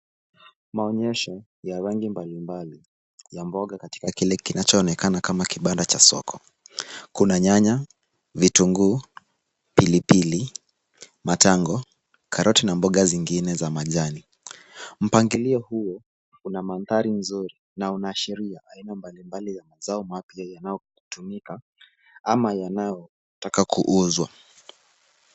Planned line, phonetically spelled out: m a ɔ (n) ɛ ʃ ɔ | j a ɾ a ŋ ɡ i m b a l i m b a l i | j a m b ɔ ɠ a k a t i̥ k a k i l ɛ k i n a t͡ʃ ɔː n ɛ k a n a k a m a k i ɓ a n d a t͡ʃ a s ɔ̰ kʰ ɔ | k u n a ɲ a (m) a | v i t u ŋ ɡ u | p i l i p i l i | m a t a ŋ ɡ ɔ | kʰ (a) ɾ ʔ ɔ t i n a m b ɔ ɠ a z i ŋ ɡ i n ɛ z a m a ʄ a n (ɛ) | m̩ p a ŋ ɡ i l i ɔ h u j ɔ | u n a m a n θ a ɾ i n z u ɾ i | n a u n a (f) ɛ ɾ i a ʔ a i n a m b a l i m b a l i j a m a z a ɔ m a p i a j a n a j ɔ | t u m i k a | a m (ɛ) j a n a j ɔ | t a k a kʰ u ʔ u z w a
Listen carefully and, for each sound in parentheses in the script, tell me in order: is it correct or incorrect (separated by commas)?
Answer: incorrect, incorrect, correct, incorrect, incorrect, incorrect